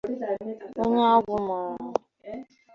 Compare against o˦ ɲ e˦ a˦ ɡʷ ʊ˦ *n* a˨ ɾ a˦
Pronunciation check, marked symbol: incorrect: m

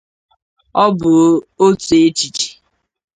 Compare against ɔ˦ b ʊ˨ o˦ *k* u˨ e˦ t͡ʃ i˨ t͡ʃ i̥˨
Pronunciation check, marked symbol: incorrect: t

